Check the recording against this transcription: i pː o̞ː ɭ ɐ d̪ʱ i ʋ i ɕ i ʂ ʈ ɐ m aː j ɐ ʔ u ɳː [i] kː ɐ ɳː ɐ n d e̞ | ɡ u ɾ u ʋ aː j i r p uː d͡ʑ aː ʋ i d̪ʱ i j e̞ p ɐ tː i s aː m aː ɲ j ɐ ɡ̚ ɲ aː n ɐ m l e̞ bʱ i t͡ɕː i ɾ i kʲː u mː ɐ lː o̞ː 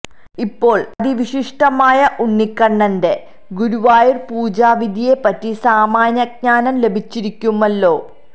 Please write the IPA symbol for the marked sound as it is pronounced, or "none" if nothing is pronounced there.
i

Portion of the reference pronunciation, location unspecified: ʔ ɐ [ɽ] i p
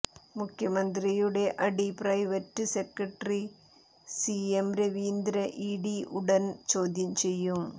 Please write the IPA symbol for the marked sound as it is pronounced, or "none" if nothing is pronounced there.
ɽ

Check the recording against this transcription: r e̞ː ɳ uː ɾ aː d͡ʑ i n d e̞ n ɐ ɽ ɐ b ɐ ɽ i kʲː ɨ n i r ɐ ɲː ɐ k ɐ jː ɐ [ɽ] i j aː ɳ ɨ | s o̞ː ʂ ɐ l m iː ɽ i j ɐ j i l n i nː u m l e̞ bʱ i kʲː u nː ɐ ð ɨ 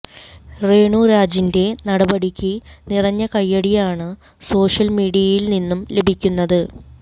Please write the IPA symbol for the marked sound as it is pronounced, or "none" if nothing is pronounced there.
ɽ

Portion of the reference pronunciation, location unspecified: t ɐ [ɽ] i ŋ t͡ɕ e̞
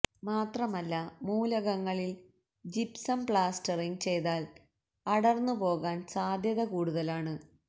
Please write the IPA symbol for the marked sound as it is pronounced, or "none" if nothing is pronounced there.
r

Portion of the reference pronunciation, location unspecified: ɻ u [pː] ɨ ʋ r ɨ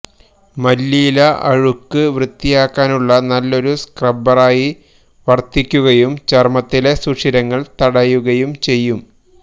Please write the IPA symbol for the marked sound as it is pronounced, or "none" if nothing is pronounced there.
kː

